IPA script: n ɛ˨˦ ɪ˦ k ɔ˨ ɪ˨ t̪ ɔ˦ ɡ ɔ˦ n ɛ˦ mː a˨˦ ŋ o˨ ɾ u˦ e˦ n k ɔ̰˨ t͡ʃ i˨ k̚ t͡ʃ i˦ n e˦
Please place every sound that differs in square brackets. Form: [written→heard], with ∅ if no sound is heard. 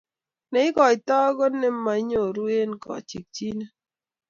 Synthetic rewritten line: n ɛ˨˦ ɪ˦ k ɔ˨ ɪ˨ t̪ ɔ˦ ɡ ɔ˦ n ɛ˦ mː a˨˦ [ŋ→ɲ] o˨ ɾ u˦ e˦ n k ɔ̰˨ t͡ʃ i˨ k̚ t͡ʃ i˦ n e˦